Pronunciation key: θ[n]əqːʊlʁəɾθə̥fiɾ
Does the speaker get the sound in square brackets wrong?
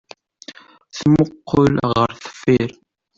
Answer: yes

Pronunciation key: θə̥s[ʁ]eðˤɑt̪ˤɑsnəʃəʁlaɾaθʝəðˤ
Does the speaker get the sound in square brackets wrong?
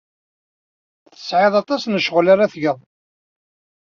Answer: yes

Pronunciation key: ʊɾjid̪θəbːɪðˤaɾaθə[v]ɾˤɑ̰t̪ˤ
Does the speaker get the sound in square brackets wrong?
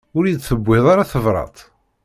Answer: no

